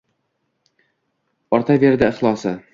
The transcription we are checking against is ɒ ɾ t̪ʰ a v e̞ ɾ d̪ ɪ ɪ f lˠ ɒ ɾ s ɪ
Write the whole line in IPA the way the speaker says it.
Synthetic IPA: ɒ ɾ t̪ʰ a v e̞ ɾ d̪ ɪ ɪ χ lˠ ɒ s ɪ